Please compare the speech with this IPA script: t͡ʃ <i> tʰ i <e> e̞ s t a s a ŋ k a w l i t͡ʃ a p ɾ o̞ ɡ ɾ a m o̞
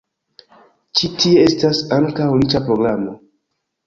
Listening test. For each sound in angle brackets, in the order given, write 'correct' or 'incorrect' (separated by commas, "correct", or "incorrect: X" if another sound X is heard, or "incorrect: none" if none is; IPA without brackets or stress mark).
correct, correct